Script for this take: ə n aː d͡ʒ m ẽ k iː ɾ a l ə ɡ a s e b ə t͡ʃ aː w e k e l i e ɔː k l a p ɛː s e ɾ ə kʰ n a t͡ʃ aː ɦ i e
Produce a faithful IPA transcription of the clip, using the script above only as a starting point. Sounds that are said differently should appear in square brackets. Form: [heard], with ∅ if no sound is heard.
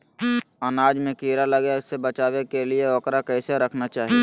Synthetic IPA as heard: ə n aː d͡ʒ m ẽ k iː ɾ a l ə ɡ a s e b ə t͡ʃ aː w e k e l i e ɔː k [ɾ] a [k] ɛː s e ɾ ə kʰ n a t͡ʃ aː ɦ i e